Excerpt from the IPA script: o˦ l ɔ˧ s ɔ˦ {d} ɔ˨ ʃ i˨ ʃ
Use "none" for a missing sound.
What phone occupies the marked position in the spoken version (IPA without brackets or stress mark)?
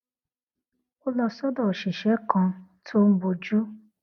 d